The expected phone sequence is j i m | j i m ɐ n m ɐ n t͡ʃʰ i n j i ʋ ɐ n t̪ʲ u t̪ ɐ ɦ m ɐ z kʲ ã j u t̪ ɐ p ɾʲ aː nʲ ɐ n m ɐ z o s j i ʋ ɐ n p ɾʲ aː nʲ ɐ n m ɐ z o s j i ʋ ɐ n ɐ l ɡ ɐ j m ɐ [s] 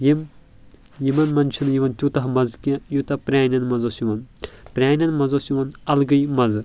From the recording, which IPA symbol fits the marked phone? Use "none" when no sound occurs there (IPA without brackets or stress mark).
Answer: z